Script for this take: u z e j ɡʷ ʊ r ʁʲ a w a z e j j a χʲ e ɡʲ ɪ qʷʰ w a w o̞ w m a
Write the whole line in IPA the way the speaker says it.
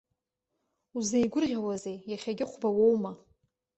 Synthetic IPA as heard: u z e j ɡʷ ʊ r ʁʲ a w a z e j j a χʲ a ɡʲ ɪ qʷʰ b a w o̞ w m a